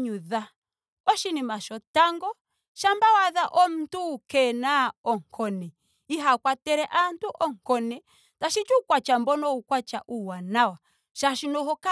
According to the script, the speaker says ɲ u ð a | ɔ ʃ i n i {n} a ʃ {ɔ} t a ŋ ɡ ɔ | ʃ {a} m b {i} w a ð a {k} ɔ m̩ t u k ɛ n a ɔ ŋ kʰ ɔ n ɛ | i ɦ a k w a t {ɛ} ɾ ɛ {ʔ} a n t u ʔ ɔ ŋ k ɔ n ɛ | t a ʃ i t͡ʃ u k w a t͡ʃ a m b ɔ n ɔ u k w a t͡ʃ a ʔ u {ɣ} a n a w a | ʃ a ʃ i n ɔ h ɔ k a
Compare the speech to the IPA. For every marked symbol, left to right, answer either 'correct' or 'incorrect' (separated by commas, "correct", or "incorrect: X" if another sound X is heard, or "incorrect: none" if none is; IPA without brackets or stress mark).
incorrect: m, correct, correct, incorrect: a, incorrect: ʔ, correct, correct, incorrect: w